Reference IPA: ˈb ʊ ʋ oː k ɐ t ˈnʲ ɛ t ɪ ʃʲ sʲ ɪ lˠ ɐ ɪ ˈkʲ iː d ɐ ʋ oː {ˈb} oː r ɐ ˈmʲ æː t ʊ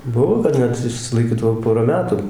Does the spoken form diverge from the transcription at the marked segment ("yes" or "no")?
yes